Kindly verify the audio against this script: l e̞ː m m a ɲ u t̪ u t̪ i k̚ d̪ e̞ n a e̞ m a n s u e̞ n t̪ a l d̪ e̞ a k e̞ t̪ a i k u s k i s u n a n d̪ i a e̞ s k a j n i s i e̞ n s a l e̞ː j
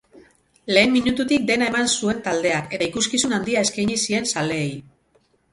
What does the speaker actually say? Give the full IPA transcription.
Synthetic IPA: l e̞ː m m i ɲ u t̪ u t̪ i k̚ d̪ e̞ n a e̞ m a n s u e̞ n t̪ a l d̪ e̞ a k e̞ t̪ a i k u s k i s u n a n d̪ i a e̞ s k a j ɲ i s i e̞ n s a l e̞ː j